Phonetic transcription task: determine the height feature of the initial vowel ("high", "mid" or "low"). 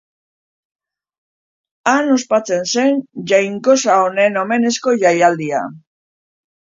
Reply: low